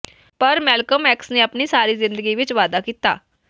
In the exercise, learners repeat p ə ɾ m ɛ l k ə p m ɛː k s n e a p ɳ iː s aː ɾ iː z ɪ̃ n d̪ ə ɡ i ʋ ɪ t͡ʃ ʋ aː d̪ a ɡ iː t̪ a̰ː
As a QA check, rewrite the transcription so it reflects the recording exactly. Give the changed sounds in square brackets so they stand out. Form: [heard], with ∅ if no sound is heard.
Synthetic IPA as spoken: p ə ɾ m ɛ l k ə [∅] m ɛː k s n e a p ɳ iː s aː ɾ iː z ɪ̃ n d̪ ə ɡ i ʋ ɪ t͡ʃ ʋ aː d̪ a [k] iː t̪ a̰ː